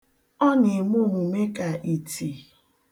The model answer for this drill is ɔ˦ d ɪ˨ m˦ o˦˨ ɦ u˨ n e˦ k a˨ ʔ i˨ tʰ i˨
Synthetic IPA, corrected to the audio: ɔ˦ n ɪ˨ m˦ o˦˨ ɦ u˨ m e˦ k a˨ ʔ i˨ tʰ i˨